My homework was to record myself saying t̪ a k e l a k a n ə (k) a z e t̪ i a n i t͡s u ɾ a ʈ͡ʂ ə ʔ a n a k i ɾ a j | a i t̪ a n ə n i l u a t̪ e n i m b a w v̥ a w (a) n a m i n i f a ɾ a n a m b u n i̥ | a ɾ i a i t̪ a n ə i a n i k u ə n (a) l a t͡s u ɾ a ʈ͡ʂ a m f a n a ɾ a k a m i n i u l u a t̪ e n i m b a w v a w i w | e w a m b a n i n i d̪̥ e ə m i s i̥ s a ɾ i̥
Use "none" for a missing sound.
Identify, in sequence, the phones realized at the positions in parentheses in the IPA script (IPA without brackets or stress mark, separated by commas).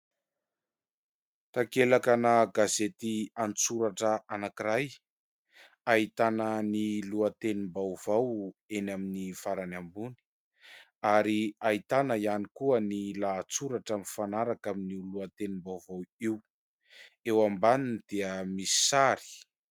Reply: ɡ, e, i